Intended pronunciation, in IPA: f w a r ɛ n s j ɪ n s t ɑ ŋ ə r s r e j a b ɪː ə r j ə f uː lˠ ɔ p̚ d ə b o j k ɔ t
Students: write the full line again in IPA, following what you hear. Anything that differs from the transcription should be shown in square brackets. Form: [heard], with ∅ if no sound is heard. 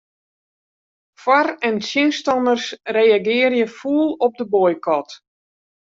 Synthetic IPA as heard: f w a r ɛ n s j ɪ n s t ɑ [n] ə r s r e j a [ɡ] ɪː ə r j ə f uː lˠ ɔ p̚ d ə b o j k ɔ t